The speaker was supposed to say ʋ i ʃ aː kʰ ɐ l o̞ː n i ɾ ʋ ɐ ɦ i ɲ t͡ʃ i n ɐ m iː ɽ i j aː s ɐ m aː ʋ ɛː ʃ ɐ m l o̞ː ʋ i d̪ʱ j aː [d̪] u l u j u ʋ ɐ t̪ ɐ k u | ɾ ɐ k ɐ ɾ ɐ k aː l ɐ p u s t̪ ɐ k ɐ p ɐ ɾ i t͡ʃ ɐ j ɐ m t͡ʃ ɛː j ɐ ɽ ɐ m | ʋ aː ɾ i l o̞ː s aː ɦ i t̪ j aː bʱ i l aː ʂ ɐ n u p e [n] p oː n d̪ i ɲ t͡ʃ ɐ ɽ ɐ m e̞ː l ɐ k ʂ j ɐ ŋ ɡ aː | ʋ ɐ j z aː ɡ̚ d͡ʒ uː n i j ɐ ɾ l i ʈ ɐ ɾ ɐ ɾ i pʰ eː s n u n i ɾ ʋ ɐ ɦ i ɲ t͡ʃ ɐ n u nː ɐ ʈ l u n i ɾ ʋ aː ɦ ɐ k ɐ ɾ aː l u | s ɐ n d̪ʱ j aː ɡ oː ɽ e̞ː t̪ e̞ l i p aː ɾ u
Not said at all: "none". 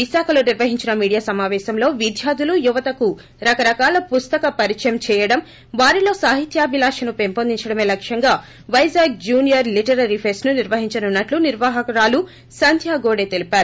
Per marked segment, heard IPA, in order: d̪, m

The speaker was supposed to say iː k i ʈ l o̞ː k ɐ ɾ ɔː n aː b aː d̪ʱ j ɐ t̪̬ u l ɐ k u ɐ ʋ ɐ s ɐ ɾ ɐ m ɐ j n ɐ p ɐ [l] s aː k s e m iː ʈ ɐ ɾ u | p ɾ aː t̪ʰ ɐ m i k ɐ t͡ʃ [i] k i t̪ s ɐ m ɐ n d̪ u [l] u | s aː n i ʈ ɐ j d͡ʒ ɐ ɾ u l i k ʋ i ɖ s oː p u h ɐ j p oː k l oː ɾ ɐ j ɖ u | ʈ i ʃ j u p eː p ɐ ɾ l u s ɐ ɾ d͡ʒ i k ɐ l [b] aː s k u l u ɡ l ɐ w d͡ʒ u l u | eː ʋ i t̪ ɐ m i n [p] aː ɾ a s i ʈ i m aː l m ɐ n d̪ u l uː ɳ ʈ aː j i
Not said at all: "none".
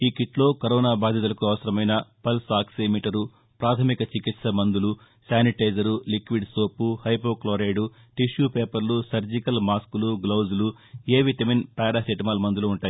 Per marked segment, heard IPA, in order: l, i, l, m, p

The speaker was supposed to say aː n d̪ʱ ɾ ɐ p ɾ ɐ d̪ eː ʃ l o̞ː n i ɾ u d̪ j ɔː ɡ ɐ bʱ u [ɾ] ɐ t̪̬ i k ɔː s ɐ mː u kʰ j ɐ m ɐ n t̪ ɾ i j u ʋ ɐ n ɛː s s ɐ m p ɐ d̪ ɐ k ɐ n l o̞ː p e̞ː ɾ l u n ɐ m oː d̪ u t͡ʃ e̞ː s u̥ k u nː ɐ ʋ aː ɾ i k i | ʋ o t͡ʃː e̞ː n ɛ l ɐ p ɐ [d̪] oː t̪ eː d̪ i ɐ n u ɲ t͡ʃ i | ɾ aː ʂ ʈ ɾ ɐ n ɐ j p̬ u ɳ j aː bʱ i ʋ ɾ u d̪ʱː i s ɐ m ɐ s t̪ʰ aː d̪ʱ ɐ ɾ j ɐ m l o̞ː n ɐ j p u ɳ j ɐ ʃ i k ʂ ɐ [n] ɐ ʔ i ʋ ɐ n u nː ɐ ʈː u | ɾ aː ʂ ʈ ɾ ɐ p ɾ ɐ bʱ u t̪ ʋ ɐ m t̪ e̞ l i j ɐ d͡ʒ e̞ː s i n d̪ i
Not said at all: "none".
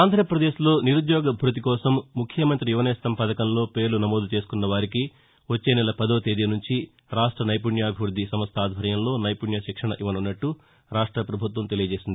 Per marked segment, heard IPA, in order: ɾ, d̪, ɳ

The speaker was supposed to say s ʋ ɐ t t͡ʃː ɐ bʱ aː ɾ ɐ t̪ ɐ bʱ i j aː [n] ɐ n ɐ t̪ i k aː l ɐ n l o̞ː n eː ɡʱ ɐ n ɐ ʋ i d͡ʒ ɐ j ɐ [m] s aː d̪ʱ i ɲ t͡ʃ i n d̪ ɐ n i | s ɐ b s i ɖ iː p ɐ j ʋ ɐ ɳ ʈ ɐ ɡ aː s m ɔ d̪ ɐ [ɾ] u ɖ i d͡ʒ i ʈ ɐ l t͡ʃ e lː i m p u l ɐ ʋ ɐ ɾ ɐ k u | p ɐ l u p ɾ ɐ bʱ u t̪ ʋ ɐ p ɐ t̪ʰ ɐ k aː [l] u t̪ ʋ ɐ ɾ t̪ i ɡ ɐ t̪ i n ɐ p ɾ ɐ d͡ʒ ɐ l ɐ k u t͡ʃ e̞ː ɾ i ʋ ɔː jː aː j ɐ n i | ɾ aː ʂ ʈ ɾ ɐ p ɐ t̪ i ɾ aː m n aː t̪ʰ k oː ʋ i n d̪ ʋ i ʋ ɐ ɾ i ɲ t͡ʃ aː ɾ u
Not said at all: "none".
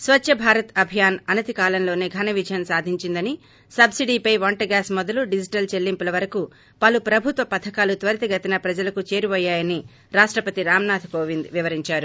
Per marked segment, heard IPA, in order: n, n, l, l

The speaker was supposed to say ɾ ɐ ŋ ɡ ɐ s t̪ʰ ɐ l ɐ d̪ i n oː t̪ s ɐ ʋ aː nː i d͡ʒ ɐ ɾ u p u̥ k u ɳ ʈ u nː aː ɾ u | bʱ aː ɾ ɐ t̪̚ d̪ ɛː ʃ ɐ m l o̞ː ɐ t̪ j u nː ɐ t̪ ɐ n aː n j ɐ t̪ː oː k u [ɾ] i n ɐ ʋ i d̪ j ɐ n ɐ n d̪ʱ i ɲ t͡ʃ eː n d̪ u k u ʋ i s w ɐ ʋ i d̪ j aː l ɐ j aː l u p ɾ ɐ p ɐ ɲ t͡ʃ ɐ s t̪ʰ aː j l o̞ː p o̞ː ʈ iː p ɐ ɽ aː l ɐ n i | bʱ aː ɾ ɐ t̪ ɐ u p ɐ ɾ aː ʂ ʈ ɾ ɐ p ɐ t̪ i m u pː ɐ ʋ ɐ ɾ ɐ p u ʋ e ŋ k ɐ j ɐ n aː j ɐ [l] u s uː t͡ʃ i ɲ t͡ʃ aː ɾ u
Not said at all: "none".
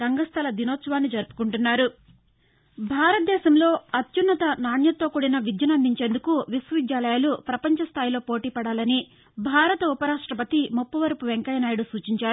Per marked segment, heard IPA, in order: ɽ, ɽ

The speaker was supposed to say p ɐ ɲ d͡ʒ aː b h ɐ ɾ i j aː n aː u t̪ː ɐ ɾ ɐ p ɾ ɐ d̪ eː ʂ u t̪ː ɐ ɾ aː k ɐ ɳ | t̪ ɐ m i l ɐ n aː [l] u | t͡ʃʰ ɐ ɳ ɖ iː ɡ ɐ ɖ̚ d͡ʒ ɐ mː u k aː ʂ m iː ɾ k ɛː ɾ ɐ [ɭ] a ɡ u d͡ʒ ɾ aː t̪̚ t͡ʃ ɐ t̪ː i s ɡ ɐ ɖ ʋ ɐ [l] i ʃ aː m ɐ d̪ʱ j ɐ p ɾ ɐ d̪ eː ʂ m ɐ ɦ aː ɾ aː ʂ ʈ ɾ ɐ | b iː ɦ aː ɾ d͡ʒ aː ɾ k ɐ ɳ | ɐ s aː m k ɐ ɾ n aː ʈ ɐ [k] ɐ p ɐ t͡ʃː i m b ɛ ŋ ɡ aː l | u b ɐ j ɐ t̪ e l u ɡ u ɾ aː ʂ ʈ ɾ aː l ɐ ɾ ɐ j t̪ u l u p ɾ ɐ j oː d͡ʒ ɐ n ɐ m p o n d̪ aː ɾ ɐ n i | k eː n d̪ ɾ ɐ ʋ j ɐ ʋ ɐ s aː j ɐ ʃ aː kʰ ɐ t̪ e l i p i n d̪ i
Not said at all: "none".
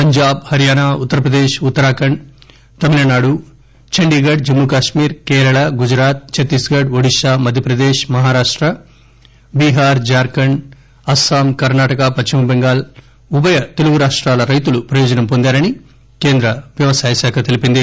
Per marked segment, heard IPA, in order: ɽ, ɭ, ɽ, k

